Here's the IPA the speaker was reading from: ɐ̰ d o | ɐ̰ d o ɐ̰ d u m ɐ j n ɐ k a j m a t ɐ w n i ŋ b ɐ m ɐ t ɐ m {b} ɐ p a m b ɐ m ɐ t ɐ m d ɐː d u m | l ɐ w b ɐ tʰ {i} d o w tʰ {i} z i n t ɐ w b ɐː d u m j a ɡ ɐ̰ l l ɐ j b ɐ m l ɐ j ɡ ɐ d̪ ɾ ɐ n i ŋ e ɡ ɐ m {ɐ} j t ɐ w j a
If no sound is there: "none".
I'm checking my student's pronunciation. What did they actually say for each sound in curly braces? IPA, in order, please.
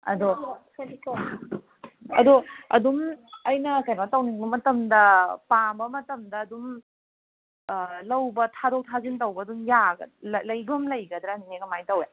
d, a, a, a

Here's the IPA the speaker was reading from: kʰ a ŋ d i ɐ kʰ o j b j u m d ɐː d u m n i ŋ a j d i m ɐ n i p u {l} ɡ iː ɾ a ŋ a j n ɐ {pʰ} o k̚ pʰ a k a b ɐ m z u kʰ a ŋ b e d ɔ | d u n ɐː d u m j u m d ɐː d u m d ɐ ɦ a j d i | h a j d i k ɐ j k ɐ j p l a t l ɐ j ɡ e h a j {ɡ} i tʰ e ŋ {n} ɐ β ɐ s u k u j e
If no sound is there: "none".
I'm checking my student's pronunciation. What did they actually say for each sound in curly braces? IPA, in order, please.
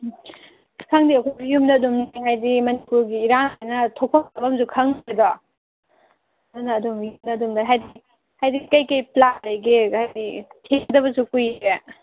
ɾ, tʰ, d, d

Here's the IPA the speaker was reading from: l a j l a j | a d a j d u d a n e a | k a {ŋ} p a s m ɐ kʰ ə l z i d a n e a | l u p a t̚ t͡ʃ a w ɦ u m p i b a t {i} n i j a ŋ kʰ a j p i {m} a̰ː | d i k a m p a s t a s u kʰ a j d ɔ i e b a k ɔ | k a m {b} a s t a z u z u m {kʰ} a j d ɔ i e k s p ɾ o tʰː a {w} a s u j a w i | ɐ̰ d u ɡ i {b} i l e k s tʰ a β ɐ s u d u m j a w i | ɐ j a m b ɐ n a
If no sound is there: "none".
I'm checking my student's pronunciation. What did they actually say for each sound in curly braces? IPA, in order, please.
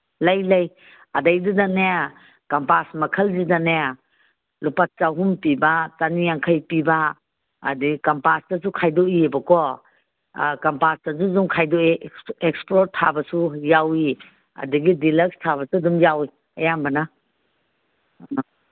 m, a, b, p, kʰ, b, d

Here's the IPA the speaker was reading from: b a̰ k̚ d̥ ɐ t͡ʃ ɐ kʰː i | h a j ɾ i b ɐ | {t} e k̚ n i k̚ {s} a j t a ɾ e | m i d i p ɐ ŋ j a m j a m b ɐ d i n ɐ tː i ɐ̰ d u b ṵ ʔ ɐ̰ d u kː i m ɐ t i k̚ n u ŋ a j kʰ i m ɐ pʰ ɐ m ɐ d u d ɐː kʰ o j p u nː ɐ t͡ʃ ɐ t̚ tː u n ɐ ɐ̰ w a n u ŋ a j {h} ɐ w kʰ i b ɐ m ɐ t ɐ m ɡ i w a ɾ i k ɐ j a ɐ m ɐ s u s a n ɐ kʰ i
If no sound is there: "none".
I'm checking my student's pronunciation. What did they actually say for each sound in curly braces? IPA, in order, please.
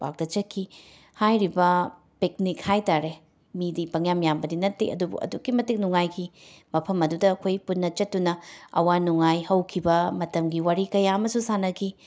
p, h, h

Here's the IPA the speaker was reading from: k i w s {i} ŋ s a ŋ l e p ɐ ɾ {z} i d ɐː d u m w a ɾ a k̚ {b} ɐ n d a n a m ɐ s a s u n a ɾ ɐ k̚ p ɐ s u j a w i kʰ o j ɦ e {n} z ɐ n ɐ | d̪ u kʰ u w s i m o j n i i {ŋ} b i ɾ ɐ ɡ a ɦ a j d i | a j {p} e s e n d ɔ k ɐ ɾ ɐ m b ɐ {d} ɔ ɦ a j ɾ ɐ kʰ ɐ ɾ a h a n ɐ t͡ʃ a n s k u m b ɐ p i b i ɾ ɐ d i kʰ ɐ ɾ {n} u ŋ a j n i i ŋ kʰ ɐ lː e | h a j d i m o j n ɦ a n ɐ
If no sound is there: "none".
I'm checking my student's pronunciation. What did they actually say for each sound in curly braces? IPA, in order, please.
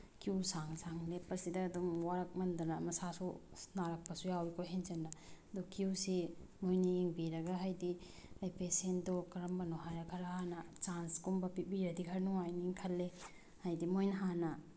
a, s, m, n, ŋ, p, n, n

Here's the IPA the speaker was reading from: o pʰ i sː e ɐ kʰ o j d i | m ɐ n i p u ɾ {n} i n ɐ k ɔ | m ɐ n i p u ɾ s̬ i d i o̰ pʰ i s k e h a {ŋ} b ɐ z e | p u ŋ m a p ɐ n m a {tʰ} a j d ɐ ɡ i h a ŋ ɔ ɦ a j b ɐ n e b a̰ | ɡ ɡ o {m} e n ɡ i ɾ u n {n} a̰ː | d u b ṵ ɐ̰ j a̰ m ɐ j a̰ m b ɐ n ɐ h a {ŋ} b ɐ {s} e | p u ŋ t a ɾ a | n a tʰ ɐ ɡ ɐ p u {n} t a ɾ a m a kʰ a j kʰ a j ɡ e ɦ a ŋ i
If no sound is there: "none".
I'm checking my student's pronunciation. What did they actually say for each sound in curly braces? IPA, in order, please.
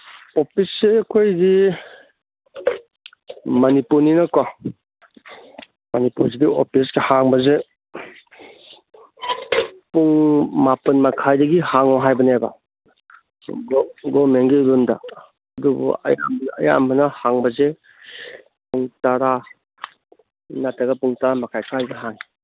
n, ŋ, kʰ, m, d, ŋ, z, ŋ

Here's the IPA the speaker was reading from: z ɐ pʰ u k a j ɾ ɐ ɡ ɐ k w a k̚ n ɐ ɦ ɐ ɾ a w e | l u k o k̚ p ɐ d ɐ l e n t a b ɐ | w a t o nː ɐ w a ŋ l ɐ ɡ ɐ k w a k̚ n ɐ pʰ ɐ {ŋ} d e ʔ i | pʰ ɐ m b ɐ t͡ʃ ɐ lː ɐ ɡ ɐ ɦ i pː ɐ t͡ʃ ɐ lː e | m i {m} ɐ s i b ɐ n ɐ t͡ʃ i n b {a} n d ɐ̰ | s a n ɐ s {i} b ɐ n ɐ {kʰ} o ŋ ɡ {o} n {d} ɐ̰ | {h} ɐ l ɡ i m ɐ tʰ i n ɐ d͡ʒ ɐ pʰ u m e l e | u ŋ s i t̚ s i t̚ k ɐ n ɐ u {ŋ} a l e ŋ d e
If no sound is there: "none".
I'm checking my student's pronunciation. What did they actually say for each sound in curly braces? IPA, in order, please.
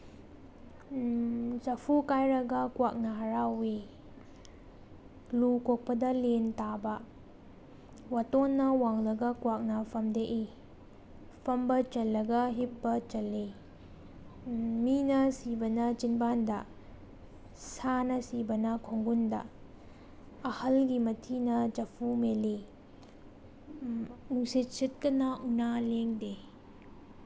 m, n, a, i, kʰ, u, d, h, n

